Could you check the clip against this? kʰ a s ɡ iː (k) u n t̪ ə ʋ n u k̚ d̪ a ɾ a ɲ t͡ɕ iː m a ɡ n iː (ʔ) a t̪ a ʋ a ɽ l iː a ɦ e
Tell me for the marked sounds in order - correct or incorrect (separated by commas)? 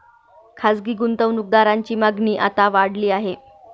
incorrect, correct